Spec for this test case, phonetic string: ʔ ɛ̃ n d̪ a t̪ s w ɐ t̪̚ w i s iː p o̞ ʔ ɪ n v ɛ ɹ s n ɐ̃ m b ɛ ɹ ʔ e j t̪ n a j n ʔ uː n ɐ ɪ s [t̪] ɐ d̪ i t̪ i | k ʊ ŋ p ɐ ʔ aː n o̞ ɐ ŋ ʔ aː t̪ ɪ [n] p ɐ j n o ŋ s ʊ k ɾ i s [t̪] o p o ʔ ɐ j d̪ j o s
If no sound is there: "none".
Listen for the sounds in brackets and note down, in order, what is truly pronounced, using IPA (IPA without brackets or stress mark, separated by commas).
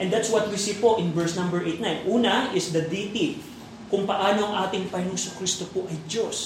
d̪, ŋ, t̪